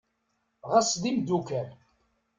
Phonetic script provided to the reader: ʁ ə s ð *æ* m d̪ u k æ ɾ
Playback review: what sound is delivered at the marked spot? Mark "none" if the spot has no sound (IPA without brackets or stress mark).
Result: i